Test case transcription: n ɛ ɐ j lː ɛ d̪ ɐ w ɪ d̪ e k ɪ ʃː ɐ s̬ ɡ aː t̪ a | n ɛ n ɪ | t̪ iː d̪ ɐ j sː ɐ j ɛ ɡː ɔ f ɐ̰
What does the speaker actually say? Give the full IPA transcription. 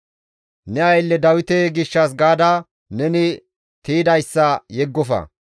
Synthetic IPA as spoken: n ɛ ɐ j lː ɛ d̪ ɐ w ɪ t̪ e ɡ ɪ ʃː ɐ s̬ ɡ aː d̪ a | n ɛ n ɪ | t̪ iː d̪ ɐ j sː ɐ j ɛ ɡː ɔ f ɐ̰

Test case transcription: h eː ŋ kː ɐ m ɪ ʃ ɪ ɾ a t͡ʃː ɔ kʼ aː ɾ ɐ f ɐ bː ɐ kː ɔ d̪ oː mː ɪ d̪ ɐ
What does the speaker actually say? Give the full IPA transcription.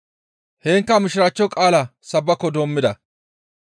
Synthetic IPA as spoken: h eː ŋ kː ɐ m ɪ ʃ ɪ ɾ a t͡ʃː ɔ kʼ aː l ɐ s ɐ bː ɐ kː ɔ d̪ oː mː ɪ d̪ ɐ

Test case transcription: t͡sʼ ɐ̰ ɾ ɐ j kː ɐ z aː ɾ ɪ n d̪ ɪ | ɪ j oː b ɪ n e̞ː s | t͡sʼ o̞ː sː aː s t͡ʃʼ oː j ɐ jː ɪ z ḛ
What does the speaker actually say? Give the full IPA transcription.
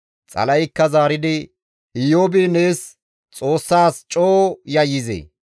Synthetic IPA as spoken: t͡sʼ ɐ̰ l ɐ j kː ɐ z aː ɾ ɪ d̪ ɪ | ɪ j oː b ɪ n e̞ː s | t͡sʼ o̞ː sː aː s t͡ʃʼ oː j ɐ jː ɪ z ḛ

